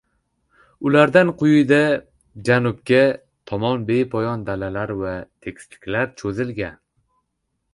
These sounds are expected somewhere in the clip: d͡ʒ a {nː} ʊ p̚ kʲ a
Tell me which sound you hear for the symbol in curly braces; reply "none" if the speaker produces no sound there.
n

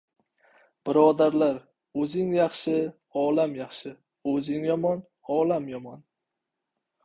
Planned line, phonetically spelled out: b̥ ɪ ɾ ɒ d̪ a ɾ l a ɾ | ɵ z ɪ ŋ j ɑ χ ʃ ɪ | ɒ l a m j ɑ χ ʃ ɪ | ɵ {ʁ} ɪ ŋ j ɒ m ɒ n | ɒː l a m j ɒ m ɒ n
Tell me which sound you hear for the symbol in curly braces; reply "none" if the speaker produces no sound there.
z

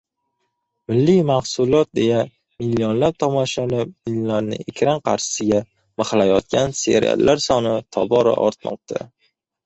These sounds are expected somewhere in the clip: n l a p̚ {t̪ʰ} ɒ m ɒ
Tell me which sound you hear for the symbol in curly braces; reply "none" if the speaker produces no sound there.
t̪ʰ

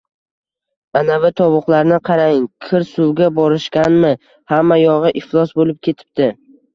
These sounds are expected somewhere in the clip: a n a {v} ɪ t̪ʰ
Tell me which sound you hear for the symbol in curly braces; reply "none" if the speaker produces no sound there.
v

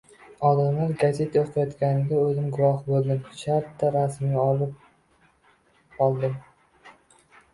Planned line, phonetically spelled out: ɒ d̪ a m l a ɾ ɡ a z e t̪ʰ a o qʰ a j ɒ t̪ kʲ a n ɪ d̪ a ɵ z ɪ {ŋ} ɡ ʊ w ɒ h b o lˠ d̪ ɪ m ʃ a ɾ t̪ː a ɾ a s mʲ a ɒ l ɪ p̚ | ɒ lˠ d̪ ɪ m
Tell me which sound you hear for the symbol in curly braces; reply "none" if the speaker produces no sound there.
m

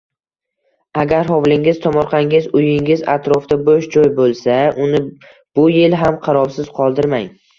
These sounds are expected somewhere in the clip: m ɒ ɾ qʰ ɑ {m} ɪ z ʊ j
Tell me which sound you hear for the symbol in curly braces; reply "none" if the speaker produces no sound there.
ŋ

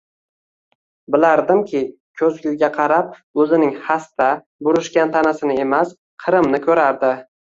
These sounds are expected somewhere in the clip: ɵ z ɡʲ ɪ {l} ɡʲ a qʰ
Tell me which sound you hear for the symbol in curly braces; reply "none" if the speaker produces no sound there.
l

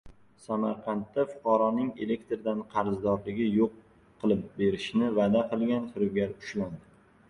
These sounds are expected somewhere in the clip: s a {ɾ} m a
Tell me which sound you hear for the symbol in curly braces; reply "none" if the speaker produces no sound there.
none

